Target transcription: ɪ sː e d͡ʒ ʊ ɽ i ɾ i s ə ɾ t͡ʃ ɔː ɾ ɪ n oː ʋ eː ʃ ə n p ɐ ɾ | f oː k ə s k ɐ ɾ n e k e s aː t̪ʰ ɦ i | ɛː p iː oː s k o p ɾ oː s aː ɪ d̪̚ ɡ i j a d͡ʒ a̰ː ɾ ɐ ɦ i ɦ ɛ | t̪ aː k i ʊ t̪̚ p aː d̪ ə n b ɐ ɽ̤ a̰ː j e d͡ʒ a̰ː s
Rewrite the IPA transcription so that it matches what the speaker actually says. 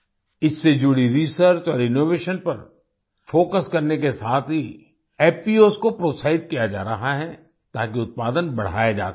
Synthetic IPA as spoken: ɪ sː e d͡ʒ ʊ ɽ i ɾ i s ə ɾ t͡ʃ ɔː ɾ ɪ n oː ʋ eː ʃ ə n p ɐ ɾ | f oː k ə s k ɐ ɾ n e k e s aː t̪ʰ ɦ i | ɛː p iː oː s k o p ɾ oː s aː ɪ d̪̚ k i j a d͡ʒ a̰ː ɾ ɐ ɦ a ɦ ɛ | t̪ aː k i ʊ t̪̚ p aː d̪ ə n b ɐ ɽ̤ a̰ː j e d͡ʒ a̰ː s